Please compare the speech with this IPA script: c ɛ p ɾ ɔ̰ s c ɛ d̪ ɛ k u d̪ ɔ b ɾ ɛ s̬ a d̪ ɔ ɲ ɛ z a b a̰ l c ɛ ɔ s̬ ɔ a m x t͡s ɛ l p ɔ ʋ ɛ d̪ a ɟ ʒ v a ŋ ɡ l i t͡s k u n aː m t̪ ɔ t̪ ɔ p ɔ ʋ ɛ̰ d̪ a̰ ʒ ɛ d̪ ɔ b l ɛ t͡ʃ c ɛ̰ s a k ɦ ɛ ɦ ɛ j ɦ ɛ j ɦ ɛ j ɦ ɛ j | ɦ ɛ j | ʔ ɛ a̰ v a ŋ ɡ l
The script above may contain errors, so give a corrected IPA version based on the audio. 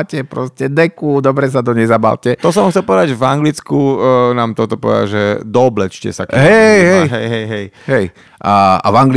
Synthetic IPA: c ɛ p ɾ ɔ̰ s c ɛ d̪ ɛ k u d̪ ɔ b ɾ ɛ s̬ a d̪ ɔ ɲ ɛ z a b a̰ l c ɛ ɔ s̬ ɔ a m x t͡s ɛ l p ɔ ʋ ɛ d̪ a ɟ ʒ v a ŋ ɡ l i t͡s k u n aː m t̪ ɔ t̪ ɔ p ɔ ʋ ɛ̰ d̪ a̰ ʒ ɛ d̪ ɔ b l ɛ t͡ʃ c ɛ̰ s a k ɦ ɛ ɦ ɛ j ɦ ɛ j ɦ ɛ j ɦ ɛ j | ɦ ɛ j | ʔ a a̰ v a ŋ ɡ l